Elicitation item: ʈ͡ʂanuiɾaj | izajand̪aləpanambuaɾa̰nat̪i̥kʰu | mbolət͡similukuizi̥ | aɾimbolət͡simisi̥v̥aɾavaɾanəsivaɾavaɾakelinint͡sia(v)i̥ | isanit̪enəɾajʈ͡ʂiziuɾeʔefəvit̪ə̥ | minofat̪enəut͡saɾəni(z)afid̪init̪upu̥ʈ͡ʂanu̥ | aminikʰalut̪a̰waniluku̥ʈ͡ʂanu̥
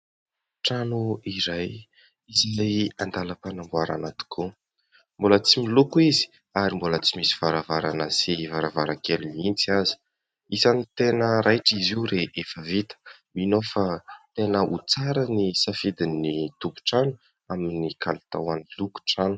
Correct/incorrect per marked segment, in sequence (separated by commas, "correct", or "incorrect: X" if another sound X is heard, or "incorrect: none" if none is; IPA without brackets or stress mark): incorrect: z, incorrect: s